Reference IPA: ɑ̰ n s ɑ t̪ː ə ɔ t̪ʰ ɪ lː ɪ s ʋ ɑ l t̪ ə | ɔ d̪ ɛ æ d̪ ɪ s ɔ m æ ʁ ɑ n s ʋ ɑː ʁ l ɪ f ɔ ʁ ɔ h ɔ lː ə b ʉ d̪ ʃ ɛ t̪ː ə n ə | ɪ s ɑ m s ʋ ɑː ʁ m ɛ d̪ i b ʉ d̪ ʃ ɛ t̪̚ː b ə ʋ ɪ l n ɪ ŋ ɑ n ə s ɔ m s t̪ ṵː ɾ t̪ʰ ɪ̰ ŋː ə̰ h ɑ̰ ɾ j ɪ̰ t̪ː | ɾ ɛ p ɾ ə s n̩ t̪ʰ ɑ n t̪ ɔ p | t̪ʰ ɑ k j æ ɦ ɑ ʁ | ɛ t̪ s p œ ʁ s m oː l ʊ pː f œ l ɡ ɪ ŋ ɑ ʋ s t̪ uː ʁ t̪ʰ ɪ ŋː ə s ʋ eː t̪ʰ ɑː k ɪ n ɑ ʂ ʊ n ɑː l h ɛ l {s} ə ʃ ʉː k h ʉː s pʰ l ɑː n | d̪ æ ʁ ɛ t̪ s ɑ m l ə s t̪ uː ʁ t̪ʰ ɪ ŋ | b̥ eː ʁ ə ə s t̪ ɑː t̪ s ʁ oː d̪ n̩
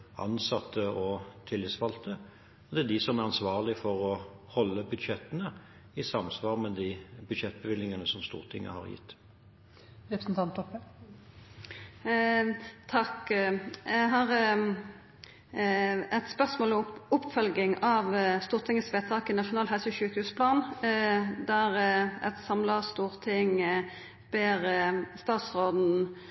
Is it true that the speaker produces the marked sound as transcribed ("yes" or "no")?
yes